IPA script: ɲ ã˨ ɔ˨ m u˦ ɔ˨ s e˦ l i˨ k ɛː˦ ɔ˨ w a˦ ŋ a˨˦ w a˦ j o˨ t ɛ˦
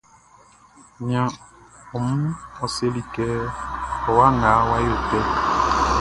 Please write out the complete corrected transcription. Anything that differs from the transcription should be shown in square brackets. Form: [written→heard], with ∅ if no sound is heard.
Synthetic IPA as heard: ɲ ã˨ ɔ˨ m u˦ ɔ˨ s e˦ l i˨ k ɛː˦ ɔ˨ w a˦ ŋ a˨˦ w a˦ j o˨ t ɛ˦